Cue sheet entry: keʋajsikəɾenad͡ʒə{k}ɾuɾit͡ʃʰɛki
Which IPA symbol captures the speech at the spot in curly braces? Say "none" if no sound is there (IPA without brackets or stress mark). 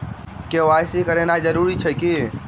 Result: none